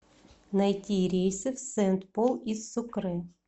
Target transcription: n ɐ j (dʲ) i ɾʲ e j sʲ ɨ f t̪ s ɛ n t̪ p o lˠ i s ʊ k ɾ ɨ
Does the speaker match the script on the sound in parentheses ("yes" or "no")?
no